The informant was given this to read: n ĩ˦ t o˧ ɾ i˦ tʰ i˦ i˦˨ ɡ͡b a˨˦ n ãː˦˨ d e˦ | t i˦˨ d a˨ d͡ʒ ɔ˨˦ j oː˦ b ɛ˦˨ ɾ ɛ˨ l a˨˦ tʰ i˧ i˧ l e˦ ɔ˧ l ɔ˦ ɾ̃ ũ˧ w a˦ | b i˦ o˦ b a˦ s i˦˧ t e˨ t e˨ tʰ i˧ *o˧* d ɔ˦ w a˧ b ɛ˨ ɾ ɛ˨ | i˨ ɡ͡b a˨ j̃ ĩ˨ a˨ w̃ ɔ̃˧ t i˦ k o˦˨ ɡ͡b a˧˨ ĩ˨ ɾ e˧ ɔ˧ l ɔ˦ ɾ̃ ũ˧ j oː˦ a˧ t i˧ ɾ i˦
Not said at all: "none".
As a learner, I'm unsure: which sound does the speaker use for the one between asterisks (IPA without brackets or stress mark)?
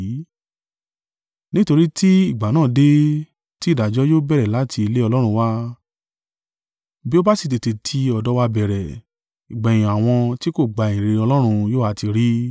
ɔ˧